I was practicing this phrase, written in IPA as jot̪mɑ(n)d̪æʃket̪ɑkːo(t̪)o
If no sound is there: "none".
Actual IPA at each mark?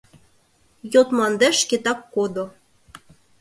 n, d̪

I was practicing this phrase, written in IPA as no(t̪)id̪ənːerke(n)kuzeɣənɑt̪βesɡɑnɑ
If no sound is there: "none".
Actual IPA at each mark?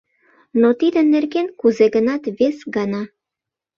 t̪, n

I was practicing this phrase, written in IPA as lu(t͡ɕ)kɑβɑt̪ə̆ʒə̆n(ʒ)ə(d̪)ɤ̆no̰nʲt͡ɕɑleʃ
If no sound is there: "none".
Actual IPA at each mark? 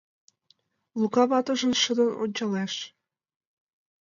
none, ʃ, d̪

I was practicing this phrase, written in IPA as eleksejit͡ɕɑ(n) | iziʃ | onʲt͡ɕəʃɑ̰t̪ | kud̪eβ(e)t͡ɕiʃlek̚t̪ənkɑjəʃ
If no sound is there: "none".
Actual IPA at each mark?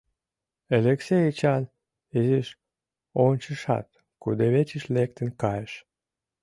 n, e

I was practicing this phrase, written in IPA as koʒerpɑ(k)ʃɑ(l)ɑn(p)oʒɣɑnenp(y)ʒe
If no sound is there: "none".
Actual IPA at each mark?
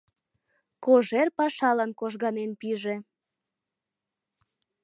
none, l, k, i

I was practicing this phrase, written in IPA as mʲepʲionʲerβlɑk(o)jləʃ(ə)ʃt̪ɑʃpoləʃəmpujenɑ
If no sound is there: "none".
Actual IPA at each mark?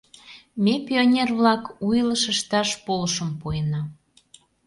u, ə

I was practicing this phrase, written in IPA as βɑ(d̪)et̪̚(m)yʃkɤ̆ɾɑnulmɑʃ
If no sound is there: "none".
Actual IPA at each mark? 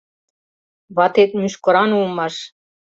t̪, m

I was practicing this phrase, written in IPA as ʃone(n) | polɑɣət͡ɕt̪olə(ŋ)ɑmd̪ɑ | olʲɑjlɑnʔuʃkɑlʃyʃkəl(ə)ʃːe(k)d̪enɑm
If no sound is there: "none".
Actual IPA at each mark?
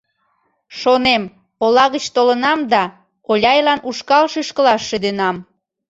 m, n, ɑ, none

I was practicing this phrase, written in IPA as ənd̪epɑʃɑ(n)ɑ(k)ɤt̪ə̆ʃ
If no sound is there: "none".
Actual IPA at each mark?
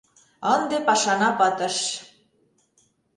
n, p

